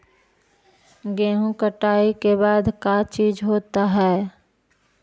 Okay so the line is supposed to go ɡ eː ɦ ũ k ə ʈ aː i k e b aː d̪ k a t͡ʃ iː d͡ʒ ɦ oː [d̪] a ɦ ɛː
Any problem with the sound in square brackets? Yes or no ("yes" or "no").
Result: yes